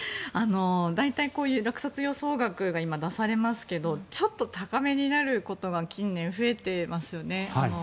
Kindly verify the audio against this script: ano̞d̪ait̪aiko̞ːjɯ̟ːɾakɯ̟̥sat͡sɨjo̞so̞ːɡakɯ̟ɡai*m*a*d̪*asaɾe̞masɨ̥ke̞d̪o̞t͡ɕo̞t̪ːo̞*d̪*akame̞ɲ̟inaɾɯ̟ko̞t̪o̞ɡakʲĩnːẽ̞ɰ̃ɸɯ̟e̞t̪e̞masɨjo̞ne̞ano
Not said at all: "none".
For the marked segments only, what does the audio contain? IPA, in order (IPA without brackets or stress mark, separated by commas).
m, d̪, t̪